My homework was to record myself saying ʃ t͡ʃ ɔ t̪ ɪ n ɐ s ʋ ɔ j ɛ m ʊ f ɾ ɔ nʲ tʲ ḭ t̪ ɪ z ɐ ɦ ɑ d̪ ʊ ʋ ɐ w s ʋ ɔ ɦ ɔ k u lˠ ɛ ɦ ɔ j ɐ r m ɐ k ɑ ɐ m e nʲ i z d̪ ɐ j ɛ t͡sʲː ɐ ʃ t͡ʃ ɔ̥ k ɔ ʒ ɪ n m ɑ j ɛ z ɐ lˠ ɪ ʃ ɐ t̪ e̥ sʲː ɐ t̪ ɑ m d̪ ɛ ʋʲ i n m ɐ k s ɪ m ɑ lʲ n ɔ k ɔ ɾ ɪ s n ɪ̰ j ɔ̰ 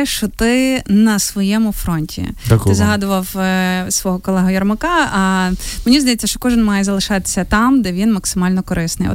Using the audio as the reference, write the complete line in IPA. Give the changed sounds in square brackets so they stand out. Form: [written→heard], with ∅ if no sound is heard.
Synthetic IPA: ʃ t͡ʃ ɔ t̪ ɪ n ɐ s ʋ ɔ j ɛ m ʊ f ɾ ɔ nʲ tʲ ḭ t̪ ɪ z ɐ ɦ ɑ d̪ ʊ ʋ ɐ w s ʋ ɔ ɦ ɔ k [u→ɔ] lˠ ɛ ɦ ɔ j ɐ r m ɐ k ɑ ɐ m e nʲ i z d̪ ɐ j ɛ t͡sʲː ɐ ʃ t͡ʃ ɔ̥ k ɔ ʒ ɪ n m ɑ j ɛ z ɐ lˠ ɪ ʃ [ɐ→ɑ] t̪ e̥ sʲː ɐ t̪ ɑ m d̪ ɛ ʋʲ i n m ɐ k s ɪ m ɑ lʲ n ɔ k ɔ ɾ ɪ s n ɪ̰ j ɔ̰